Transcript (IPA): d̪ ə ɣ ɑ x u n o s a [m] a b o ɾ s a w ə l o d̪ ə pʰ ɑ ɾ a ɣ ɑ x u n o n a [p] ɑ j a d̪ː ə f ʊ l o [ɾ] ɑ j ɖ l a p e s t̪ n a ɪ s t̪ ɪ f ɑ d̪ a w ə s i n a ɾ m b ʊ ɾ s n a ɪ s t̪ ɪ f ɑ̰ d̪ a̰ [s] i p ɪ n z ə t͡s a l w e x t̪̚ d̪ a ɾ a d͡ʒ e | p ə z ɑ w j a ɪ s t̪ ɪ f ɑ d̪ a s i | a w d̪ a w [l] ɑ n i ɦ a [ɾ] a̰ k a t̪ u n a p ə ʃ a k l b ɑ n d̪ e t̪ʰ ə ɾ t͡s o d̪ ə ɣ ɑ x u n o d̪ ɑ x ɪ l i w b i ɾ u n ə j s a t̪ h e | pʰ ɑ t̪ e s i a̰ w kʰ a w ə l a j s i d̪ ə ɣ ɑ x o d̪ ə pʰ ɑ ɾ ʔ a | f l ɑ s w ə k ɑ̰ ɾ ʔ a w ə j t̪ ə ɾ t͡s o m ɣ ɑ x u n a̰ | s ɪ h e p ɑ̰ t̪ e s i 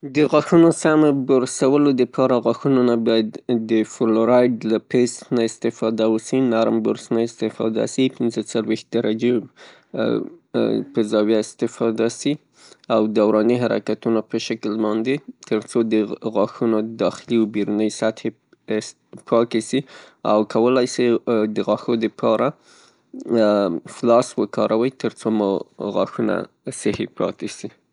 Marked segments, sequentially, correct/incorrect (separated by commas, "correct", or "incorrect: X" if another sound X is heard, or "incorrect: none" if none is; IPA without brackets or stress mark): correct, incorrect: b, correct, correct, incorrect: ɾ, correct